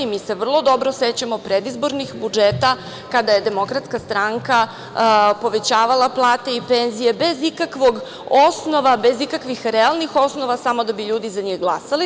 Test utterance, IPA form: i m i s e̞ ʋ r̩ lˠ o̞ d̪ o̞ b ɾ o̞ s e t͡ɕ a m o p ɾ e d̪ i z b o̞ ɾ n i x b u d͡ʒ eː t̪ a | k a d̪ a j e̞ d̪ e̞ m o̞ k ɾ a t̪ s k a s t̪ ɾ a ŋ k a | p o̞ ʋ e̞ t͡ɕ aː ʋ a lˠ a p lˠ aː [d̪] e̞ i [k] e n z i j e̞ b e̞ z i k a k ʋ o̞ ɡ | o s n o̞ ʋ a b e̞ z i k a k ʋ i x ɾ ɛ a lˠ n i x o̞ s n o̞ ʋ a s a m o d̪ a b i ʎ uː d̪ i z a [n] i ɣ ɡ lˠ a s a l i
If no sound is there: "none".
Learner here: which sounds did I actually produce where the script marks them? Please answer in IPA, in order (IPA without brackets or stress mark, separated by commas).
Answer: t̪, p, ɲ